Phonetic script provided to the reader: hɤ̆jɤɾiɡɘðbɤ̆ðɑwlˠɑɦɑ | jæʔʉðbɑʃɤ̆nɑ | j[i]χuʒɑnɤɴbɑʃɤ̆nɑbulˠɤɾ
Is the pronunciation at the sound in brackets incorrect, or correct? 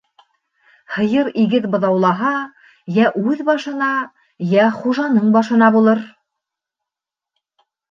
incorrect: æ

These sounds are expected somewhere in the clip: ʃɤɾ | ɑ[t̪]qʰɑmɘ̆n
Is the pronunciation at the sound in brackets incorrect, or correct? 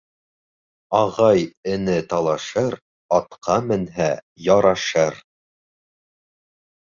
correct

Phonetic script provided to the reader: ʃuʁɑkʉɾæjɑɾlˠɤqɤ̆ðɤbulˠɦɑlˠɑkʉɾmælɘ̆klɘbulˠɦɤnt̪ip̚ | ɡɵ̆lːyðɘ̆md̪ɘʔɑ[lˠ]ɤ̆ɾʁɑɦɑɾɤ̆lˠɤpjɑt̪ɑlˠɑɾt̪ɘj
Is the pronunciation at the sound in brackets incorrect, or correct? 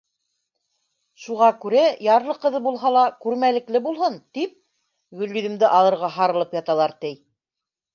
correct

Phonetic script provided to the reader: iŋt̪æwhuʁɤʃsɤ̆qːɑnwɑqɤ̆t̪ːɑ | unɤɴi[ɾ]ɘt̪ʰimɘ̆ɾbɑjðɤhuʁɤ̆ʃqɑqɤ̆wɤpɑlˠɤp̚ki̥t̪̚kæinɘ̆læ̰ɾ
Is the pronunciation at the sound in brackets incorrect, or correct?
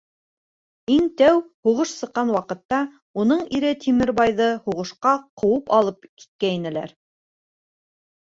correct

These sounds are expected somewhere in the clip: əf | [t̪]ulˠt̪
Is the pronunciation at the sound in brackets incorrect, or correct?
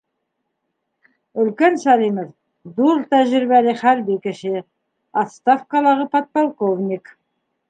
incorrect: d̪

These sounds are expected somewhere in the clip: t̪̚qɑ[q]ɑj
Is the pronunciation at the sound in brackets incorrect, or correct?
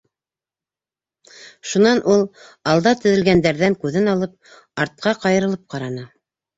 correct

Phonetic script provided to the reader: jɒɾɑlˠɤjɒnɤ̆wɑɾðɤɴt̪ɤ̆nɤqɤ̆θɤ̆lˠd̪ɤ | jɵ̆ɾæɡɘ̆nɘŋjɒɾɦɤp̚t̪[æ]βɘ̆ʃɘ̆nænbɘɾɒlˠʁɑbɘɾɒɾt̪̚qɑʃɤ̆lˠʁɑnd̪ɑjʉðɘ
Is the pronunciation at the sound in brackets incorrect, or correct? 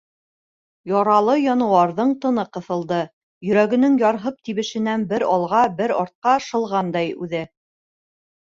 incorrect: i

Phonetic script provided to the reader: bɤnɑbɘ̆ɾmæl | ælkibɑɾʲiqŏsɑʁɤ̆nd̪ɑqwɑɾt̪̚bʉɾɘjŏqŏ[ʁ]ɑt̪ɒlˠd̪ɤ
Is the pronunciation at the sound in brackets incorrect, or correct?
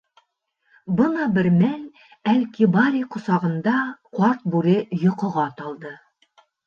correct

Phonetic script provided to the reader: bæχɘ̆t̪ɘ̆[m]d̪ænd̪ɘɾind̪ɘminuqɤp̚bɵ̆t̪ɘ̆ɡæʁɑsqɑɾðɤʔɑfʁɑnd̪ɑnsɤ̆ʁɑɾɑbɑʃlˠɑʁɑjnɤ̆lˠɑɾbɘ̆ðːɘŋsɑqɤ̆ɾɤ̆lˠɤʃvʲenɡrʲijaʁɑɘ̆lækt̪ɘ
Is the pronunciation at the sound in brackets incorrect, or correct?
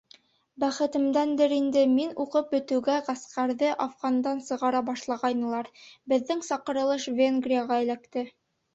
correct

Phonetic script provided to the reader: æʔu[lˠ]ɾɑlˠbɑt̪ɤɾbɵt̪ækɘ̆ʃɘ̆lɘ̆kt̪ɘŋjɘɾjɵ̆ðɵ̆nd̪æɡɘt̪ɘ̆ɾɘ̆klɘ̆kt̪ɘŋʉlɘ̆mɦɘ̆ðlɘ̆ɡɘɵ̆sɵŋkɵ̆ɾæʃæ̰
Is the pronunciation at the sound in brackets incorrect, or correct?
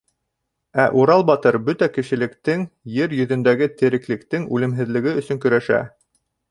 incorrect: none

